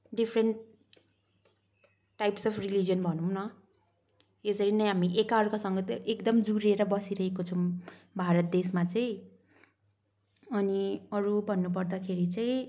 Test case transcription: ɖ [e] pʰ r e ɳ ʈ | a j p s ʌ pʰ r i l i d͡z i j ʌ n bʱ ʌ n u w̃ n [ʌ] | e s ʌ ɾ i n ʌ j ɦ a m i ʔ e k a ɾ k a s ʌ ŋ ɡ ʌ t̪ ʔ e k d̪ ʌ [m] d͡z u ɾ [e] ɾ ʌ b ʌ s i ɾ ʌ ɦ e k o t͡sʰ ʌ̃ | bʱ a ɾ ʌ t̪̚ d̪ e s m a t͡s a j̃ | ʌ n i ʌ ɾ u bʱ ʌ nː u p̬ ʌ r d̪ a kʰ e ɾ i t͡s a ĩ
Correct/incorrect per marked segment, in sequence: incorrect: i, correct, correct, correct

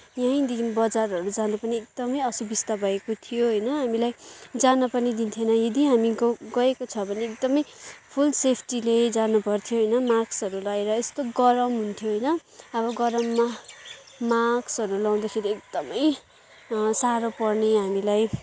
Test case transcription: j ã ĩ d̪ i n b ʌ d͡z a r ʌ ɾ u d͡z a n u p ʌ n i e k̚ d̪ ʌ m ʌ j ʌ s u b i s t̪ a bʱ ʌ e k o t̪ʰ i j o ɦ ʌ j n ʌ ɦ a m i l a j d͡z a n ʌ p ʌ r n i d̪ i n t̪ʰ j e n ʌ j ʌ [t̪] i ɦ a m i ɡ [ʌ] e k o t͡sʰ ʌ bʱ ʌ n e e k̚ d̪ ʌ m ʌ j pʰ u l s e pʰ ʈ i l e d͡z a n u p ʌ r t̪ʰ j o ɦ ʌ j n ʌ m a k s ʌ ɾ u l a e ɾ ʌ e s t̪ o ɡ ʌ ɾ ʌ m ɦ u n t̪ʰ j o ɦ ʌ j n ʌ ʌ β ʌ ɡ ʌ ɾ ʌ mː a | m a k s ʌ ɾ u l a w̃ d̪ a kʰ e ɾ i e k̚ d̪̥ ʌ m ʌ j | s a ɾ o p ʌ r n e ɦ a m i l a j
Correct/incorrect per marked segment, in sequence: incorrect: d̪, correct

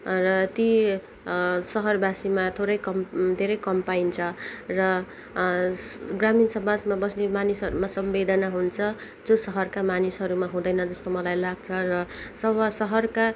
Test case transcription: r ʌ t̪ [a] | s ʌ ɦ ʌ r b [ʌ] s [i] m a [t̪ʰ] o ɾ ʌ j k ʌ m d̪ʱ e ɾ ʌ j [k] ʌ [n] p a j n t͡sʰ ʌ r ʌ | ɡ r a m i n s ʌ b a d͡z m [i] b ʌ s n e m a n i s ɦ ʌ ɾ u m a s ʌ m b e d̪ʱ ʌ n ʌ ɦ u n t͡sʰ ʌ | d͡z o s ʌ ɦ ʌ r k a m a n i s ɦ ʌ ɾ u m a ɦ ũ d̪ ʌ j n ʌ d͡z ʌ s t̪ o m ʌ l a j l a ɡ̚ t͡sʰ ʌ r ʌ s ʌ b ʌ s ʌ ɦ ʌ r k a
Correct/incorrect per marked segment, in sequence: incorrect: i, incorrect: a, correct, correct, correct, incorrect: m, incorrect: a

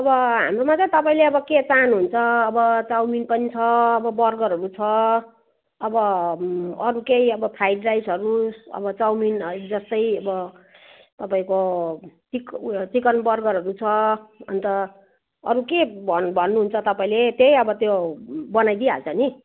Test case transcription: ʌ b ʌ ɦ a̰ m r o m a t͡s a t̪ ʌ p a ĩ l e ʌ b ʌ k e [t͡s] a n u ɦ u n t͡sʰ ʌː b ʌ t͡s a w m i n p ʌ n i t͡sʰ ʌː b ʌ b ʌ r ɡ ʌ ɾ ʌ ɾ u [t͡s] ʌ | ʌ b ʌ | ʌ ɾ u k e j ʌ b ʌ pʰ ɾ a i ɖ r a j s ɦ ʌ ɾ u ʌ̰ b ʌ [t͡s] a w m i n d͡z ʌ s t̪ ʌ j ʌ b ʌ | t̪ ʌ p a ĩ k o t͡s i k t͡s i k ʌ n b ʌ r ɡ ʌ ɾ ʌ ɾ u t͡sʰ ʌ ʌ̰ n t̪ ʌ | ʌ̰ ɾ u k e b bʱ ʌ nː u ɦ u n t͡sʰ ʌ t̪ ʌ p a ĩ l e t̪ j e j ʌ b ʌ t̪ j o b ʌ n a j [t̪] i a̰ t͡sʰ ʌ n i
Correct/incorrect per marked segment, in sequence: correct, incorrect: t͡sʰ, correct, incorrect: d̪

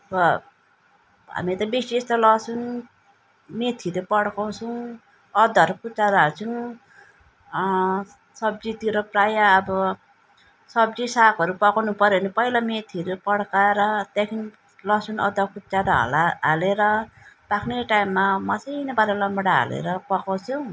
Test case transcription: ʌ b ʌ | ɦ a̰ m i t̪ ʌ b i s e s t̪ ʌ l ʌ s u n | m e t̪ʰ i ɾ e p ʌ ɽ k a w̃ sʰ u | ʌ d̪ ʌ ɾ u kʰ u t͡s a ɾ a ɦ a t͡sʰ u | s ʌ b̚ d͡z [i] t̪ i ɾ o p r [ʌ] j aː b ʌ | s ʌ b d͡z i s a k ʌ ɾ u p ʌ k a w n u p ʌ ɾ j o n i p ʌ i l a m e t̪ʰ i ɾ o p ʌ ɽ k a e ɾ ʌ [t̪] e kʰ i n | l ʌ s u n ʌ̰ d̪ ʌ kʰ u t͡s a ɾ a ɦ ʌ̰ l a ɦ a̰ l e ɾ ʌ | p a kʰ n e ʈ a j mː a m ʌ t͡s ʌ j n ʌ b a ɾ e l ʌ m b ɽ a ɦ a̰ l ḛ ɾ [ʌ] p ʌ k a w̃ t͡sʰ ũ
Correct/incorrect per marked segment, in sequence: correct, incorrect: a, correct, correct

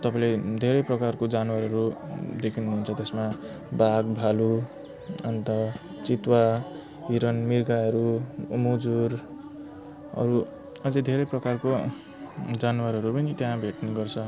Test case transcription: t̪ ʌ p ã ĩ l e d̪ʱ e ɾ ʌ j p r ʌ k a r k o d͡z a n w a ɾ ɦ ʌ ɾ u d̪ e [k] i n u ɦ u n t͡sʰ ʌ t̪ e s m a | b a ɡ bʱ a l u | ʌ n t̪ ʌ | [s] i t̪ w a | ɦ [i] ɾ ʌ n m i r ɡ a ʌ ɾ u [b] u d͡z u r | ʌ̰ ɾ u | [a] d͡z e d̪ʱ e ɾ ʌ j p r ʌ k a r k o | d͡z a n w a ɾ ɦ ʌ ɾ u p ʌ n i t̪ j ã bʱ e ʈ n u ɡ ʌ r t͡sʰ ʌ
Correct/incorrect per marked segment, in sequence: incorrect: kʰ, incorrect: t͡s, correct, incorrect: m, incorrect: ʌ

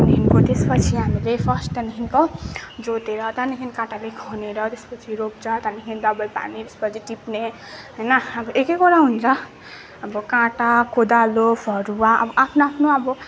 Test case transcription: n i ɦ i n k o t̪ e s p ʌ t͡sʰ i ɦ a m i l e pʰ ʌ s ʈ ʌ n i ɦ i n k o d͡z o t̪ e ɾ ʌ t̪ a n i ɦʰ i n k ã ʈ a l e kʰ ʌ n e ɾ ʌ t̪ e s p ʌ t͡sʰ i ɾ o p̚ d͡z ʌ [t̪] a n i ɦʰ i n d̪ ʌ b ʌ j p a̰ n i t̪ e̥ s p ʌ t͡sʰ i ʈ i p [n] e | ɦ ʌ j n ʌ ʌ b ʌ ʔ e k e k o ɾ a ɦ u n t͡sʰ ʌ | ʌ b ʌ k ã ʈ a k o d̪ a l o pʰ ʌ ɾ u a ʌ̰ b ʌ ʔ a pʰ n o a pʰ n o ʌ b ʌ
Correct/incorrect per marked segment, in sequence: correct, correct

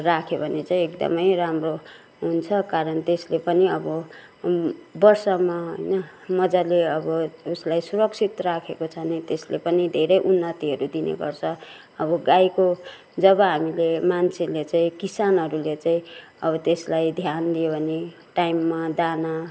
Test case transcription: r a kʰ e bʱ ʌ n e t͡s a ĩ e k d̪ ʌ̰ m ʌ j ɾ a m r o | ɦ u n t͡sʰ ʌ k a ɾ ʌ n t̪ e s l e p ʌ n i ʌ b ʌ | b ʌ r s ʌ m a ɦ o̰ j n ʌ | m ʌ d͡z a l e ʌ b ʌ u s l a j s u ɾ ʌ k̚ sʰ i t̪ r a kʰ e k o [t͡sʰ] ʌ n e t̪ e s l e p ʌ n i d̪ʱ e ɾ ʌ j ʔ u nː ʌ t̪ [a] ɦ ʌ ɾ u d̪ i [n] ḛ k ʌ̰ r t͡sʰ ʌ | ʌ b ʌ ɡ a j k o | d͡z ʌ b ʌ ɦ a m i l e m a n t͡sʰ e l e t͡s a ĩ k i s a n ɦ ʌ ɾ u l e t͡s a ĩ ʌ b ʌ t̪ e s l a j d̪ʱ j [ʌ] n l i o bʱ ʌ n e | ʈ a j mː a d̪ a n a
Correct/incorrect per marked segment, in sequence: correct, incorrect: i, correct, incorrect: a

